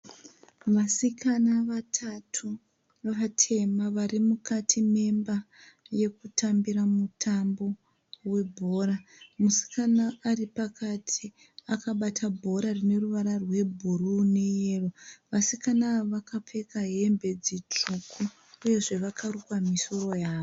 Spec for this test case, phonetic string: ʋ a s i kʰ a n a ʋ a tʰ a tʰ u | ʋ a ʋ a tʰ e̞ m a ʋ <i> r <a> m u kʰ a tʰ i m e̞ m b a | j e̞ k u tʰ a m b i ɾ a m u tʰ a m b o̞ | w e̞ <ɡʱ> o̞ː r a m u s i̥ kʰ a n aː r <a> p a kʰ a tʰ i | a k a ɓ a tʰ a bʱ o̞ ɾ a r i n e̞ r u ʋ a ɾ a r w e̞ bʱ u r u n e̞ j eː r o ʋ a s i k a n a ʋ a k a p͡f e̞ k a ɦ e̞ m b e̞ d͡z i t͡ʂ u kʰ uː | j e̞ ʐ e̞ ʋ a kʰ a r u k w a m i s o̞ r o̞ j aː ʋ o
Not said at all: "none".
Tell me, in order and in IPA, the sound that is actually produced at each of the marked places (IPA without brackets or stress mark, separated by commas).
a, i, bʱ, i